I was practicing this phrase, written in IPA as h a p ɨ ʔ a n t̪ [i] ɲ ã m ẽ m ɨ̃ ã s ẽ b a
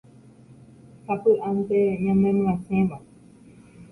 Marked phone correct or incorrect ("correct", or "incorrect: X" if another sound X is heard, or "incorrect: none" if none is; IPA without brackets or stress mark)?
incorrect: e